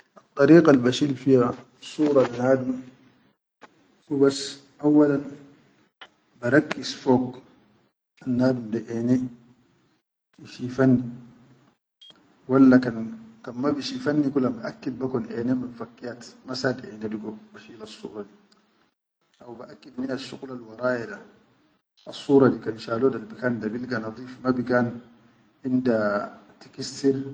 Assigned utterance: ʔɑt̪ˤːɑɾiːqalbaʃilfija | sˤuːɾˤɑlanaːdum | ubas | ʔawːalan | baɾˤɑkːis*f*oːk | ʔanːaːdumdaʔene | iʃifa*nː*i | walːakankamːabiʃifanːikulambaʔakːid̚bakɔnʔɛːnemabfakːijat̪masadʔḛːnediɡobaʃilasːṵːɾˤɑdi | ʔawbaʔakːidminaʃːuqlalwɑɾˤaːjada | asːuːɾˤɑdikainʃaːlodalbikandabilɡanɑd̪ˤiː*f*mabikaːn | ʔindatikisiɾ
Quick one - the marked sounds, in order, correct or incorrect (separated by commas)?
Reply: correct, correct, correct